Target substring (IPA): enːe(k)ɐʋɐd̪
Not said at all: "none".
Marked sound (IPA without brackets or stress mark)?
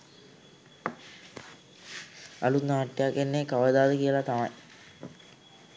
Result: k